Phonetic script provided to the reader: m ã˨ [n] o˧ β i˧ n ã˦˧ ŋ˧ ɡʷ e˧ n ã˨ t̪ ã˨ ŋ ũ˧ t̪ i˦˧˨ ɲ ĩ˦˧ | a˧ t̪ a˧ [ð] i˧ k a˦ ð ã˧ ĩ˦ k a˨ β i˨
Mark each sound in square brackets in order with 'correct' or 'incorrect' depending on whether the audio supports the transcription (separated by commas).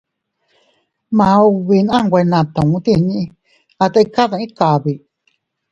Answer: incorrect, incorrect